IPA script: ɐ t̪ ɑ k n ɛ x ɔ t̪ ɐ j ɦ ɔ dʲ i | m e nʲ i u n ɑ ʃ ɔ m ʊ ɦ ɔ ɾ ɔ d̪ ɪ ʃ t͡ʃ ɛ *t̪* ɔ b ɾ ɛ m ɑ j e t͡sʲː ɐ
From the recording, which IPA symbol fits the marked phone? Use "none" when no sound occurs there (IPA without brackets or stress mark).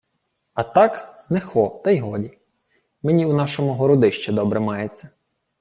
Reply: d̪